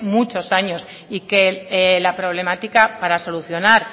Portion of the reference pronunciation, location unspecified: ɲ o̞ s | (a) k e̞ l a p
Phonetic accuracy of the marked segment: incorrect: i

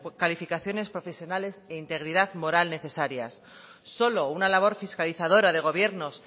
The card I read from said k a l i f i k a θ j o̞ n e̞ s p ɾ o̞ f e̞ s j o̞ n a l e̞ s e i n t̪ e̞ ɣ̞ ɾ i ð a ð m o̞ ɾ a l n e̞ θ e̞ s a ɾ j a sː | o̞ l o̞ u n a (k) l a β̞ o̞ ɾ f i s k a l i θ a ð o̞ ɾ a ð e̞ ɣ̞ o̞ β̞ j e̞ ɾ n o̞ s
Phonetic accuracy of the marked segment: incorrect: none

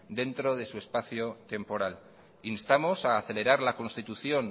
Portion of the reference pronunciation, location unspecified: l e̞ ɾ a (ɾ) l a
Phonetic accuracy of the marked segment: correct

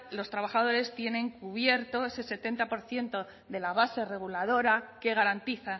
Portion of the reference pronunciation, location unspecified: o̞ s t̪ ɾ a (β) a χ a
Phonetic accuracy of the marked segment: correct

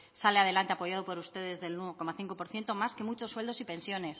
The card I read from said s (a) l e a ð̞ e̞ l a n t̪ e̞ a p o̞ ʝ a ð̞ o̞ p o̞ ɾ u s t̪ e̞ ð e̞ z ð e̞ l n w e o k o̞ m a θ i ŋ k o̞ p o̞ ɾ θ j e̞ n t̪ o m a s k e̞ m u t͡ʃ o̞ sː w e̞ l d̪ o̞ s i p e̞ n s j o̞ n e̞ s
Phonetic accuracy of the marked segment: correct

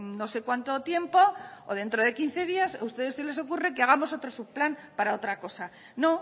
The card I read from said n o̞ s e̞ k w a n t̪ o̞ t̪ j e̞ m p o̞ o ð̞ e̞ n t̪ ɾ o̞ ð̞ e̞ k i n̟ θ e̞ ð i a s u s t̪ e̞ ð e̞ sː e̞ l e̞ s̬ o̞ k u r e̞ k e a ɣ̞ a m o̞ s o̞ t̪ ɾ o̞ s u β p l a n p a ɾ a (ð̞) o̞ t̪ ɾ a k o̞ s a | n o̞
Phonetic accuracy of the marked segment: incorrect: none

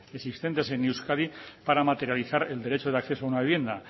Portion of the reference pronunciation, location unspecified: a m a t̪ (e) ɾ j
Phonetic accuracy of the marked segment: correct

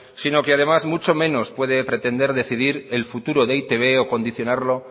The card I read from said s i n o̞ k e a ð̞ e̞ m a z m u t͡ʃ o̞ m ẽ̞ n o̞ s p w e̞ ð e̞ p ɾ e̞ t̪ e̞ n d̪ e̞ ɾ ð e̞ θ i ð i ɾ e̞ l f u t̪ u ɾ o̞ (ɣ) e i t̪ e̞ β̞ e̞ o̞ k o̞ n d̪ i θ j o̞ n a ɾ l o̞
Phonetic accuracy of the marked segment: incorrect: ð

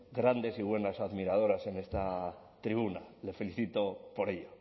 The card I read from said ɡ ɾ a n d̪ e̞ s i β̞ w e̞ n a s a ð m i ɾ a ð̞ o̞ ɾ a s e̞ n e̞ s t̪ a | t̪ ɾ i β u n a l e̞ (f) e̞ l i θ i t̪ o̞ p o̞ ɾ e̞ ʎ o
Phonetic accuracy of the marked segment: correct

